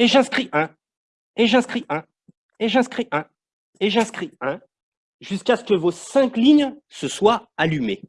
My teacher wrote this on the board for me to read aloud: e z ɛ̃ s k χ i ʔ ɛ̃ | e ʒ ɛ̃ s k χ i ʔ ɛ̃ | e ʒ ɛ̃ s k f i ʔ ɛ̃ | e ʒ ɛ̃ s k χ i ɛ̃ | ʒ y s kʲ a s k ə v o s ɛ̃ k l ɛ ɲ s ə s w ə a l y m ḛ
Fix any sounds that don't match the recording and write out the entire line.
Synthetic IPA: e ʒ ɛ̃ s k χ i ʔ ɛ̃ | e ʒ ɛ̃ s k χ i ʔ ɛ̃ | e ʒ ɛ̃ s k χ i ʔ ɛ̃ | e ʒ ɛ̃ s k χ i ɛ̃ | ʒ y s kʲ a s k ə v o s ɛ̃ k l i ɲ s ə s w a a l y m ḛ